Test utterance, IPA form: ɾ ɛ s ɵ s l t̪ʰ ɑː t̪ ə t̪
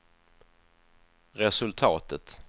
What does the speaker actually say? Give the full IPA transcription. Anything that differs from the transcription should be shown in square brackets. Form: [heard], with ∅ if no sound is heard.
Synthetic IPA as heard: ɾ ɛ s ɵ [∅] l t̪ʰ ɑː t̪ ə t̪

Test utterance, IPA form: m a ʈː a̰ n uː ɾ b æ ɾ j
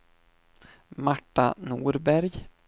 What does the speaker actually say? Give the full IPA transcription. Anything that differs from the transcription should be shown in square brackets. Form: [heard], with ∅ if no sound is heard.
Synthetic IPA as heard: m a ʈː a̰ n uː ɾ b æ ɾ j

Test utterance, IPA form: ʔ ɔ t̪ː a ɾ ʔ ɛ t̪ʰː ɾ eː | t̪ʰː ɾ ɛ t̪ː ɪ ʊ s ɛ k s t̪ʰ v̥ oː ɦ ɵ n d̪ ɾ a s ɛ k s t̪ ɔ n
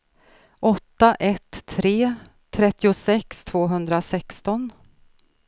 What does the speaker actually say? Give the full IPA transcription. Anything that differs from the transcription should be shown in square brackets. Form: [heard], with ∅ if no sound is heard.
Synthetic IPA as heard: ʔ ɔ t̪ː a [∅] ʔ ɛ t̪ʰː ɾ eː | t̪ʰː ɾ ɛ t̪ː ɪ ʊ s ɛ k s t̪ʰ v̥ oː ɦ ɵ n d̪ ɾ a s ɛ k s t̪ ɔ n

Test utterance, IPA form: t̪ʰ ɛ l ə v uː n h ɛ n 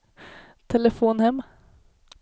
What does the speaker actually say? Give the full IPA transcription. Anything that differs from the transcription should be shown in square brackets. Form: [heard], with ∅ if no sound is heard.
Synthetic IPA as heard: t̪ʰ ɛ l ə [f] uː n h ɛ [m]

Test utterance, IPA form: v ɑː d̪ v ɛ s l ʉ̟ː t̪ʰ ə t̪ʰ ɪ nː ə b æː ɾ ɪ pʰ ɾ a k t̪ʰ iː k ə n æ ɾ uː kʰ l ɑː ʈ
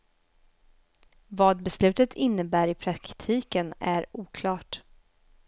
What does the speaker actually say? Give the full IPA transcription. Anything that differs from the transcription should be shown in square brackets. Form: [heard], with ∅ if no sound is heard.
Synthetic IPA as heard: v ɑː d̪ [b] ɛ s l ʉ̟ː [t̪] ə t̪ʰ ɪ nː ə b æː ɾ ɪ pʰ ɾ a k t̪ʰ iː k ə n æ ɾ uː kʰ l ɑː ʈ

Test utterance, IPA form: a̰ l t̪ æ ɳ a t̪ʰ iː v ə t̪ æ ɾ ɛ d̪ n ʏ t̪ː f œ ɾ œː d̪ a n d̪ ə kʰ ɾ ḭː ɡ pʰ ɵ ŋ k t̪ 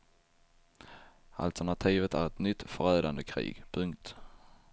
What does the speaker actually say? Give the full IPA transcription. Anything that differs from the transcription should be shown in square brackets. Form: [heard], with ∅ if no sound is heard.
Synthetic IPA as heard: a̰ l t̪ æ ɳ a t̪ʰ iː v ə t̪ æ ɾ ɛ [t̪] n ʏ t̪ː f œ ɾ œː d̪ a n d̪ ə kʰ ɾ ḭː ɡ pʰ ɵ ŋ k t̪

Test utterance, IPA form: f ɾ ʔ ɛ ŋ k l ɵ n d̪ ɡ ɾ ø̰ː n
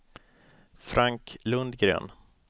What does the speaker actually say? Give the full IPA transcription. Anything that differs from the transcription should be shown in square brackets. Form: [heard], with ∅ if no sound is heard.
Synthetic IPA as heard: f ɾ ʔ [a] ŋ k l ɵ n d̪ ɡ ɾ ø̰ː n

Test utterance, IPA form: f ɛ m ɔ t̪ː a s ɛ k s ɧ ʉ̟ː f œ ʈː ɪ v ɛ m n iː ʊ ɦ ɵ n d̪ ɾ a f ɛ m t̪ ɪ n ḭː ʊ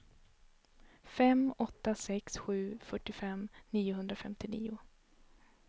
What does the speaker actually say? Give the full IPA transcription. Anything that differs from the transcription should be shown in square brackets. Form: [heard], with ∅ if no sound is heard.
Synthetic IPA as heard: f ɛ m ɔ t̪ː a s ɛ k s ɧ ʉ̟ː f œ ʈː ɪ [f] ɛ m n iː ʊ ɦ ɵ n d̪ ɾ a f ɛ m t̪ ɪ n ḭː ʊ

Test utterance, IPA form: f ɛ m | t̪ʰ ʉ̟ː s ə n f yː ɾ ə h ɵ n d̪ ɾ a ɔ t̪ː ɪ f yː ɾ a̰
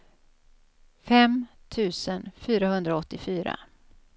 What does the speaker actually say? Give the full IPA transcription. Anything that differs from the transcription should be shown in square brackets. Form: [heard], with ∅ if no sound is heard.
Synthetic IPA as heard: f ɛ m | t̪ʰ ʉ̟ː s ə n f yː ɾ [a] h ɵ n d̪ ɾ a ɔ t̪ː ɪ f yː ɾ a̰

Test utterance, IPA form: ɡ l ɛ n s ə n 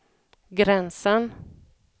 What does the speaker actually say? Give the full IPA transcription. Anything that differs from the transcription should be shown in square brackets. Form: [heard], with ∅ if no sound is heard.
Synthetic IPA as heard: ɡ [ɾ] ɛ n s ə n

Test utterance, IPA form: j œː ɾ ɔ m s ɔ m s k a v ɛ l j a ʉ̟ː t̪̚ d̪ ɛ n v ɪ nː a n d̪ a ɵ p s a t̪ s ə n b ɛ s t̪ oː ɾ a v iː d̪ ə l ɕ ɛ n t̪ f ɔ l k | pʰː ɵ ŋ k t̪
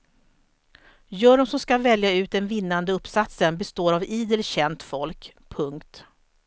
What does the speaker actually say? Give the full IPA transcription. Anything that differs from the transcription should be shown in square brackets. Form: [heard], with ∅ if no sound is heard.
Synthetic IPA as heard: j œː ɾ ɔ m s ɔ m s k a v ɛ l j a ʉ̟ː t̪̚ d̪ ɛ n v ɪ nː a n d̪ [ə] ɵ p s a t̪ s ə n b ɛ s t̪ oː ɾ a v iː d̪ ə l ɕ ɛ n t̪ f ɔ l k | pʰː ɵ ŋ k t̪

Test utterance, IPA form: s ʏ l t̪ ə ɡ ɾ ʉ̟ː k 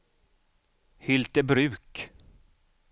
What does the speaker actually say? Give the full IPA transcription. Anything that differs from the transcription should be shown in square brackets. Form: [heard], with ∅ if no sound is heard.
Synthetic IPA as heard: [h] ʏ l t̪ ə [b] ɾ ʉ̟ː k

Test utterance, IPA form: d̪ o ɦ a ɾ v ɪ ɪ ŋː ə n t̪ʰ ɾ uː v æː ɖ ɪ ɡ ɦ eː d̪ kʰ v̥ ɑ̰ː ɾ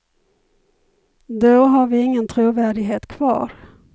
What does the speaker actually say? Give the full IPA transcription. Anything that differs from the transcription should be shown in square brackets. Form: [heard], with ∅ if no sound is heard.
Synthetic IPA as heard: d̪ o ɦ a ɾ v ɪ ɪ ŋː ə n t̪ʰ ɾ uː v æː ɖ ɪ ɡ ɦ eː [t̪] kʰ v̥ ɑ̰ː ɾ

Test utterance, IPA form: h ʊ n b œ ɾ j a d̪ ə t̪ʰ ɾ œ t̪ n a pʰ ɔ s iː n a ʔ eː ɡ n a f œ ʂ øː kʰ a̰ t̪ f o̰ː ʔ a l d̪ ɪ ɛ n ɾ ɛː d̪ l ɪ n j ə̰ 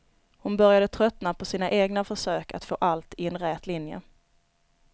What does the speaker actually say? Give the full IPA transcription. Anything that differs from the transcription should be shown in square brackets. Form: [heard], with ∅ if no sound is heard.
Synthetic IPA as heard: h ʊ n b œ ɾ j a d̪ ə t̪ʰ ɾ œ t̪ n a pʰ ɔ s iː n a ʔ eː ɡ n a f œ ʂ øː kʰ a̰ t̪ f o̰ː ʔ a l [t̪] ɪ ɛ n ɾ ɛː [t̪] l ɪ n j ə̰

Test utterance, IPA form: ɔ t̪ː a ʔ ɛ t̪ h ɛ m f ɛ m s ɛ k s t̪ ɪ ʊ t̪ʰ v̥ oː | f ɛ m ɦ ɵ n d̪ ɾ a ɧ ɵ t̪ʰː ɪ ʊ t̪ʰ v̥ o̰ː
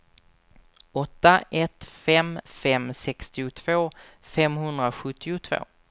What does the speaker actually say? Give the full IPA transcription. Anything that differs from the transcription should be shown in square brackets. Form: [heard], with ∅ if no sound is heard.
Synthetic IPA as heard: ɔ t̪ː a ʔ ɛ t̪ [f] ɛ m f ɛ m s ɛ k s t̪ ɪ ʊ t̪ʰ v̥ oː | f ɛ m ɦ ɵ n d̪ ɾ a ɧ ɵ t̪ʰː ɪ ʊ t̪ʰ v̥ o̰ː

